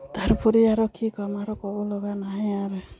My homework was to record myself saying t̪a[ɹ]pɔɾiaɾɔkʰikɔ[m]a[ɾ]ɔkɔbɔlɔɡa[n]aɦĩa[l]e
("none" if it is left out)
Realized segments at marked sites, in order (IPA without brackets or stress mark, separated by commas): ɾ, m, ɾ, n, ɾ